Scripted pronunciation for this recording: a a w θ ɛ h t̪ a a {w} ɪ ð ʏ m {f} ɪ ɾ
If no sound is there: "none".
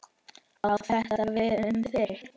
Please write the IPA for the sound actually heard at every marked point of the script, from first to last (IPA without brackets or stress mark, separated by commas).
v, θ